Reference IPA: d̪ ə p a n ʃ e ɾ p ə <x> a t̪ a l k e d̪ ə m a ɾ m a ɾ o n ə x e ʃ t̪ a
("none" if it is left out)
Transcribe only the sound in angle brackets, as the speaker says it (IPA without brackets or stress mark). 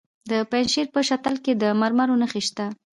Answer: ʃ